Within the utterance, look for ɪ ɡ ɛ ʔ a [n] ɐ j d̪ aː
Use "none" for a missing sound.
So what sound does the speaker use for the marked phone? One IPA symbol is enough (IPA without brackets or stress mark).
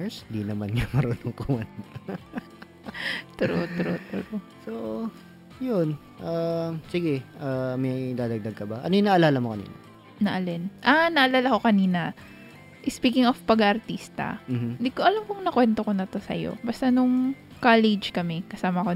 m